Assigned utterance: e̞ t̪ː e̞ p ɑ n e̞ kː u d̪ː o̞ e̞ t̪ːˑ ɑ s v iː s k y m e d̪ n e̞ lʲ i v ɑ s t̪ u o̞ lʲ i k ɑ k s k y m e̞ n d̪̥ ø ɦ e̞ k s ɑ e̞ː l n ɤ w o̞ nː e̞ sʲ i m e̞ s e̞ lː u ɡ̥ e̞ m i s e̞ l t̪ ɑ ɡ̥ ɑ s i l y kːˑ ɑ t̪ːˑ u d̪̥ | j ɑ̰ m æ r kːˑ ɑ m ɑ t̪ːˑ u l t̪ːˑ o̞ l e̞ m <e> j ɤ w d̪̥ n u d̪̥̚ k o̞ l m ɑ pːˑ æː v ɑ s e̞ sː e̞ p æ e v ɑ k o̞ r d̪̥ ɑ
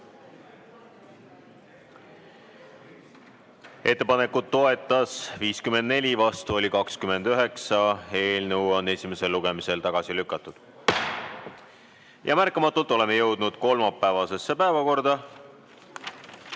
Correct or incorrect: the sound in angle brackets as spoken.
correct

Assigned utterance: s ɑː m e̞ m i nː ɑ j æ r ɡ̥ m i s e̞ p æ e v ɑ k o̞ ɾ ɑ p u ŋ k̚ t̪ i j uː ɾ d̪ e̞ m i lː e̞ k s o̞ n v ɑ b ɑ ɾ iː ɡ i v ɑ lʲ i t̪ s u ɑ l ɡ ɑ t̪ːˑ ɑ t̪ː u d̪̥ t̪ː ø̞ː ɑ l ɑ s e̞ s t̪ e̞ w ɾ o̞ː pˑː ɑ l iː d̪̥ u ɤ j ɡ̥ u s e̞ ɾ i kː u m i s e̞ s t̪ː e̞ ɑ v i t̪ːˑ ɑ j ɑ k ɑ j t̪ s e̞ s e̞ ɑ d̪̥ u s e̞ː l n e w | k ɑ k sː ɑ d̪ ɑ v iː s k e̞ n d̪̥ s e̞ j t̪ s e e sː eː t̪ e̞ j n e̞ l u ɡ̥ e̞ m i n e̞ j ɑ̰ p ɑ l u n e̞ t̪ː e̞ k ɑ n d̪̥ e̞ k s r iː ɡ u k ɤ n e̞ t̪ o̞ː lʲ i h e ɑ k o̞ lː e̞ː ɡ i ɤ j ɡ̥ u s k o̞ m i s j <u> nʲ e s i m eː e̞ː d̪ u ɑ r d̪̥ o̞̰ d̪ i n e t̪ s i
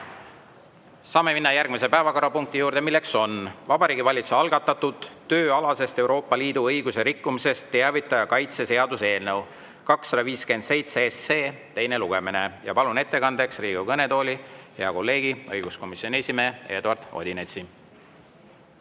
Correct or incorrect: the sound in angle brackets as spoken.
incorrect: o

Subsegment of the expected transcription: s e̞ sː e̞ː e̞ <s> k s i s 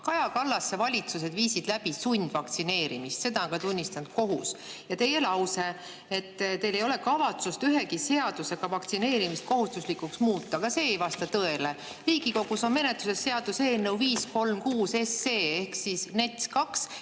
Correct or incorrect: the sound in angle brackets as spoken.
incorrect: h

